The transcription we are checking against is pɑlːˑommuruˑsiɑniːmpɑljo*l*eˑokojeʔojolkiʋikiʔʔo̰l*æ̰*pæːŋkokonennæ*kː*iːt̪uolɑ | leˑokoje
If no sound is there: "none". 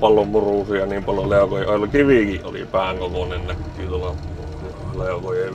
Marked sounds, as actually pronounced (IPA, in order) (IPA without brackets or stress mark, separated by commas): l, ḭ, kː